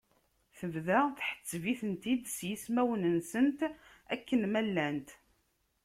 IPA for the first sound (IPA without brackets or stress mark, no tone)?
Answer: θ